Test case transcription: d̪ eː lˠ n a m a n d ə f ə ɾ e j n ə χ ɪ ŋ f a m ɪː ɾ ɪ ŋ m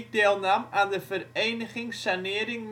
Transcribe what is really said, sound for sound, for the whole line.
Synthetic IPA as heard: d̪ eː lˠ n a m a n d ə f ə ɾ e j n ə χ ɪ ŋ s a n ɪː ɾ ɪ ŋ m